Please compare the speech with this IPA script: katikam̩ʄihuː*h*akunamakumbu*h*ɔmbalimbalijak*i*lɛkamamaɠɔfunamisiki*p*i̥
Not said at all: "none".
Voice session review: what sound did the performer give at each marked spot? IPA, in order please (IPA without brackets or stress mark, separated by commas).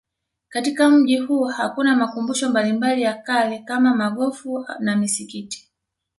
h, ʃ, a, t